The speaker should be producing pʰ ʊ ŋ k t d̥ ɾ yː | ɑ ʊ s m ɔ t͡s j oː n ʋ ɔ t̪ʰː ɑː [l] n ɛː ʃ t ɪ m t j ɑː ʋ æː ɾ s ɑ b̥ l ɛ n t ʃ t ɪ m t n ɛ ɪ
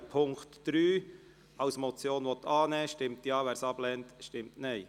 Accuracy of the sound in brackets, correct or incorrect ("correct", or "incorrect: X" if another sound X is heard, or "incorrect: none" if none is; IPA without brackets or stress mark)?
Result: incorrect: none